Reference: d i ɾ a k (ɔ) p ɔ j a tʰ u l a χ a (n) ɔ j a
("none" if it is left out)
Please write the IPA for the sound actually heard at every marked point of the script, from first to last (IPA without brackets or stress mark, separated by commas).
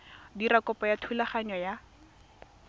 ɔ, ɲ